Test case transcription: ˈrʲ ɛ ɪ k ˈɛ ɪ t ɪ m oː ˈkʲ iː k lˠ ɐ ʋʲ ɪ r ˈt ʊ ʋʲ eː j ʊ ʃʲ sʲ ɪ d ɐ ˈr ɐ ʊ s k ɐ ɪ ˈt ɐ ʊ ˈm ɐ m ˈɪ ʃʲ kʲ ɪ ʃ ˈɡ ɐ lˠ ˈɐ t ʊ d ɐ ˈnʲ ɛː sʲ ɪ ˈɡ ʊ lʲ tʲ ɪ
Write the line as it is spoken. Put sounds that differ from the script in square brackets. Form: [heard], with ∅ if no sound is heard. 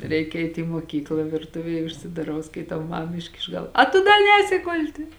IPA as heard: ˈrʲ ɛ ɪ k ˈɛ ɪ t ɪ m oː ˈkʲ iː k lˠ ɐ ʋʲ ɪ r ˈt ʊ ʋʲ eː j ʊ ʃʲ sʲ ɪ d ɐ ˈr ɐ ʊ s k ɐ ɪ ˈt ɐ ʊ ˈm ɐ m ˈɪ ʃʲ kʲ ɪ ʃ ˈɡ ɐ lˠ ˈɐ t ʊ d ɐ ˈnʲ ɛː sʲ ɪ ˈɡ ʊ lʲ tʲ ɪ